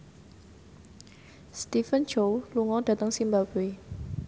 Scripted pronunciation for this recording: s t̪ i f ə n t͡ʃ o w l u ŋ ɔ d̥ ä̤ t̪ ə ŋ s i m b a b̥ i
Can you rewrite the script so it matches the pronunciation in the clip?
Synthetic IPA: s t̪ i f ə n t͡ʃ o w l u ŋ ɔ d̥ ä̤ t̪ ə ŋ s i m b a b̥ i